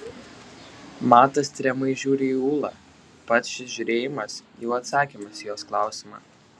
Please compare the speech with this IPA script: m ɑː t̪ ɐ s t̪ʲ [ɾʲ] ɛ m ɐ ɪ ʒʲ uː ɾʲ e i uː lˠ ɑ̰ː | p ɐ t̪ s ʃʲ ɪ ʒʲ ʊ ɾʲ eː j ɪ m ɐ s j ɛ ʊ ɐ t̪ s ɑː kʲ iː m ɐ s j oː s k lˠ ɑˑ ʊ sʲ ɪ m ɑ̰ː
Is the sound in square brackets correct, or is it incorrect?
correct